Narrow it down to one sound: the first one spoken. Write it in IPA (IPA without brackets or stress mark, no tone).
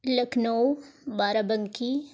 l